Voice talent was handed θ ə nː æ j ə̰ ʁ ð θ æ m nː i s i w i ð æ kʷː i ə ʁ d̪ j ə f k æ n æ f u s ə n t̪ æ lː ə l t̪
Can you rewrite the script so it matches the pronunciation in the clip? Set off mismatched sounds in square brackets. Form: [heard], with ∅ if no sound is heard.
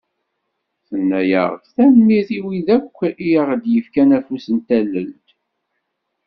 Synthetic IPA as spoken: θ ə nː æ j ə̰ ʁ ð θ æ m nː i [θ] i w i ð æ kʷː i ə ʁ d̪ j ə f k æ n æ f u s ə n t̪ æ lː ə l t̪